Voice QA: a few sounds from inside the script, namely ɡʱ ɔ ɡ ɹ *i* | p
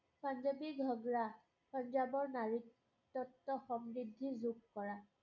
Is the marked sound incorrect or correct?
incorrect: a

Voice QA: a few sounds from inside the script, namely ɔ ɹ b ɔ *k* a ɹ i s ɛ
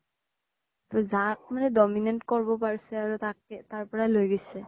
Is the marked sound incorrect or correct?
incorrect: p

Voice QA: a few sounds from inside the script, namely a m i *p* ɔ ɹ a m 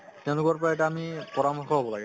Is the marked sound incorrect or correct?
correct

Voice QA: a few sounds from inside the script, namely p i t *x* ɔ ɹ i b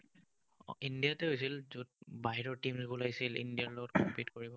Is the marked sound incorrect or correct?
incorrect: k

